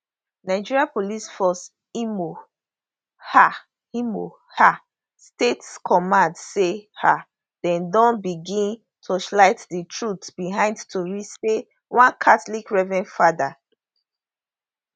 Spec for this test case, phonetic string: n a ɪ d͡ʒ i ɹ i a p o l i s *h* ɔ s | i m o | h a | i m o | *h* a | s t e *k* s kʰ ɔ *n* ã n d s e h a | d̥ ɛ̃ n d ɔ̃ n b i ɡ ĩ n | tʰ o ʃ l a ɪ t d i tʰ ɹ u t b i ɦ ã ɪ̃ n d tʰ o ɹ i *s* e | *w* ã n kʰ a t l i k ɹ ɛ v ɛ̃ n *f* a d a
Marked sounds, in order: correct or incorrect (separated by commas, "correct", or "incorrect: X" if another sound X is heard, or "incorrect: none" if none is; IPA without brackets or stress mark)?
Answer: incorrect: f, correct, incorrect: t, incorrect: m, correct, correct, correct